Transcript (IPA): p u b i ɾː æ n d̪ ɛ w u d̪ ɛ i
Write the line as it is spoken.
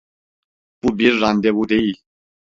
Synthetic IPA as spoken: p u b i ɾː a n d̪ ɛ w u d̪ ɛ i